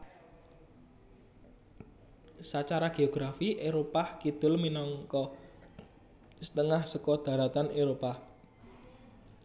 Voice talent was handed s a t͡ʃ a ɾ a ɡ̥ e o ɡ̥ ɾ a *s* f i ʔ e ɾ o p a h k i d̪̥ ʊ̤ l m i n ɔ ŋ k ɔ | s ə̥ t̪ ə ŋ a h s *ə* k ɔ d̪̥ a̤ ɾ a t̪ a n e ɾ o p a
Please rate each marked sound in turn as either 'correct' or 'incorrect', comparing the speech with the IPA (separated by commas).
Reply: incorrect, correct